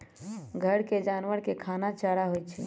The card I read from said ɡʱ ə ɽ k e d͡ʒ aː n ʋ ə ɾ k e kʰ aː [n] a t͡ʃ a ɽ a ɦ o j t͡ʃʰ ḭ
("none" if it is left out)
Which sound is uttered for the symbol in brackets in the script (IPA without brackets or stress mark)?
n